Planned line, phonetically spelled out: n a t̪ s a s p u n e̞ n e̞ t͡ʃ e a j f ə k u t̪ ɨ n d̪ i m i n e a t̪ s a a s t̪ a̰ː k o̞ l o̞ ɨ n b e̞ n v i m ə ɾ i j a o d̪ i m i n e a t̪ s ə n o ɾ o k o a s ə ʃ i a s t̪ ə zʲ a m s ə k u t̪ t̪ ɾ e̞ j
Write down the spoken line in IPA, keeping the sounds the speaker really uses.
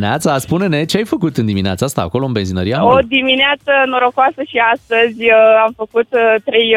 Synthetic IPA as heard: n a t̪ s a s p u n e̞ n e̞ t͡ʃ e a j f ə k u t̪ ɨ n d̪ i m i n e a t̪ s a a s t̪ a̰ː k o̞ l o̞ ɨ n b e̞ n z i n ə ɾ i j a o d̪ i m i n e a t̪ s ə n o ɾ o k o a s ə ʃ i a s t̪ ə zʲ a m f ə k u t̪ t̪ ɾ e̞ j